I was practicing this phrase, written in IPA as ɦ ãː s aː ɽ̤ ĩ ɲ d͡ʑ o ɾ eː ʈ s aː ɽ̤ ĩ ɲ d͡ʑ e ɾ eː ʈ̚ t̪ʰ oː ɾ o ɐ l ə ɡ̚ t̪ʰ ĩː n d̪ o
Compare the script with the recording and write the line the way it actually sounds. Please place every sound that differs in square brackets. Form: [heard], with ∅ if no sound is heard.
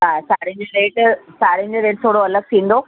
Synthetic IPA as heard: ɦ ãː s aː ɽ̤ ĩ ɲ d͡ʑ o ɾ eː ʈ s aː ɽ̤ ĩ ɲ d͡ʑ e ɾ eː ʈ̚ t̪ʰ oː [ɽ] o ɐ l ə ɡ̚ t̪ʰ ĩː n d̪ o